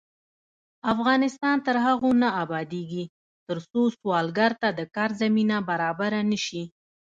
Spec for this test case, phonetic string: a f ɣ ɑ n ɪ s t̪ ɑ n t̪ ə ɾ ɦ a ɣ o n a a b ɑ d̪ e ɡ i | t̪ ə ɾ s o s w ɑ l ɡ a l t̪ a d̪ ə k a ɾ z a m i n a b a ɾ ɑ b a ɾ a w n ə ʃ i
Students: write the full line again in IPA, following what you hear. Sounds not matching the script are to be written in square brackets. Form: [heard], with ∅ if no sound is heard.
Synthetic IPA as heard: a f ɣ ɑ n ɪ s t̪ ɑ n t̪ ə ɾ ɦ a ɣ o n a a b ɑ d̪ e ɡ i | t̪ ə ɾ s o s w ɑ l ɡ a [ɾ] t̪ a d̪ ə k [ɑ] ɾ z a m i n a b a ɾ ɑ b a ɾ a [∅] n ə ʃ i